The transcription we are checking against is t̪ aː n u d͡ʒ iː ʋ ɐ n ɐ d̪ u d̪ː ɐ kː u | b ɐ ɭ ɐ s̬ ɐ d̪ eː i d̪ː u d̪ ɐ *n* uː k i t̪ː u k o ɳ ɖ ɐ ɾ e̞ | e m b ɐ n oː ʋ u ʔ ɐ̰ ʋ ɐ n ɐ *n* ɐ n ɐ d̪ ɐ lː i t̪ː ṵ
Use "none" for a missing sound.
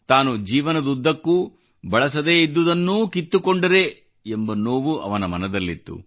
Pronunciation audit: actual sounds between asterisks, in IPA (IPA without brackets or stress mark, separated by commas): nː, m